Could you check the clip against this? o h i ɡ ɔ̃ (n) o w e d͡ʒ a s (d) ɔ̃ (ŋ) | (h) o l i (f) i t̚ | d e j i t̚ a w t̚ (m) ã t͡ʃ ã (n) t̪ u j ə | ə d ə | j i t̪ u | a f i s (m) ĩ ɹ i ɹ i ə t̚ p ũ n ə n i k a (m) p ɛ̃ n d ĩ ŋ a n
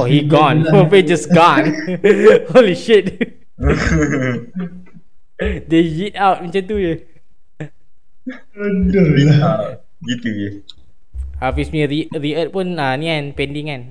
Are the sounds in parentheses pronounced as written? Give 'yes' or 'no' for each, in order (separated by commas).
yes, no, no, yes, no, yes, yes, yes, no